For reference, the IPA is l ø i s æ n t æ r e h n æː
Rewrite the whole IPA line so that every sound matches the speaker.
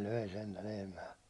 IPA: l ø i s e n t æ l e h m æː